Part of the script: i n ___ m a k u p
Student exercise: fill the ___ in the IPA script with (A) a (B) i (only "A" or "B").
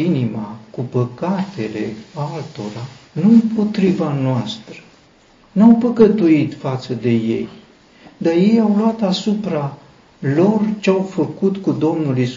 B